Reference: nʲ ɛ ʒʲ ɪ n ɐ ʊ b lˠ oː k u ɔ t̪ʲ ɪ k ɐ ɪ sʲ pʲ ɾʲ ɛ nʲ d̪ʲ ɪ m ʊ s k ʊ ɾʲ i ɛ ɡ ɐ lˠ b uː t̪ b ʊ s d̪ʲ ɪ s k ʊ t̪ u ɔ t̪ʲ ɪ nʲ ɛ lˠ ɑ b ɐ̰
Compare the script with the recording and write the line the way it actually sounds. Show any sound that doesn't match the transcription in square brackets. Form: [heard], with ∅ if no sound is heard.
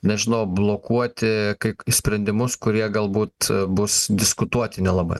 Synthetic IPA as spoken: nʲ ɛ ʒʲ ɪ n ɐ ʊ b lˠ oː k u ɔ t̪ʲ ɪ k ɐ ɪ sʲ pʲ ɾʲ ɛ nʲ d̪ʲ ɪ m ʊ s k ʊ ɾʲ i ɛ ɡ ɐ lˠ b uː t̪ b ʊ s d̪ʲ ɪ s k ʊ t̪ u ɔ t̪ʲ ɪ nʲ ɛ lˠ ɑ b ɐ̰